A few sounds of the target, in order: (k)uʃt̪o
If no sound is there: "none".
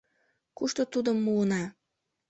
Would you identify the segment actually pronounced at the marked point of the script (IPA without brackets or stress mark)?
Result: k